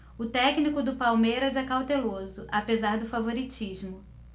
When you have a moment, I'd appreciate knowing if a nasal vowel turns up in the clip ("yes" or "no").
no